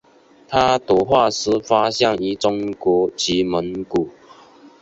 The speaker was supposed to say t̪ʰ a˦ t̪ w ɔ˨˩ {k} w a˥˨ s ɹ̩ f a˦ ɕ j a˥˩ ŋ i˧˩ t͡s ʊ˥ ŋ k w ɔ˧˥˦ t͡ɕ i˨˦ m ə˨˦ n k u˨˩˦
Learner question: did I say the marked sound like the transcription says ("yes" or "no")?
no